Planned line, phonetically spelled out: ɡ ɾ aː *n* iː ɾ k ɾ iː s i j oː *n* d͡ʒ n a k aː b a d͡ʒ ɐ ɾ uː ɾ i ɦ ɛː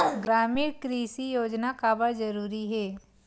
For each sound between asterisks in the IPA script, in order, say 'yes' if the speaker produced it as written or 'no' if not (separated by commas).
no, no